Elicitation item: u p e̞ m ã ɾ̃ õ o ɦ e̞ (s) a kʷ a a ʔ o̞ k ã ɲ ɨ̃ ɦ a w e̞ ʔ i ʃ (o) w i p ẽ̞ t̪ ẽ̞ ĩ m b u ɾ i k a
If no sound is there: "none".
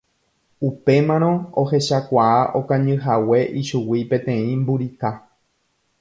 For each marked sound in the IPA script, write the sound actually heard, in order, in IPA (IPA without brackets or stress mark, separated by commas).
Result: ʃ, u